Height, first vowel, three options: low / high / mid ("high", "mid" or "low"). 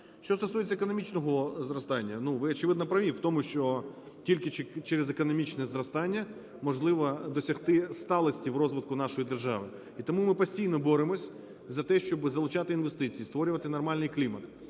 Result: mid